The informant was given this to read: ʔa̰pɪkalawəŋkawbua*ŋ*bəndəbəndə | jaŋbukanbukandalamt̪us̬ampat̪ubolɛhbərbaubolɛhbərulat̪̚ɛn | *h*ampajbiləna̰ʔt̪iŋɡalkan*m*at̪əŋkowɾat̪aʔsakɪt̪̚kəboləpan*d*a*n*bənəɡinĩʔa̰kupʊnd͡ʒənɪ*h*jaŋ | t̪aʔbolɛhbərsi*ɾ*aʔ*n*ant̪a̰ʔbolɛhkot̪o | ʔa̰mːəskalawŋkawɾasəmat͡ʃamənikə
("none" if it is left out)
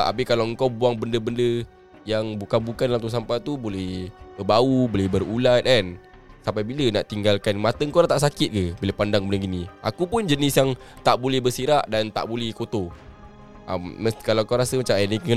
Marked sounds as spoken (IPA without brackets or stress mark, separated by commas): ŋ, s, m, d, ŋ, s, ɾ, d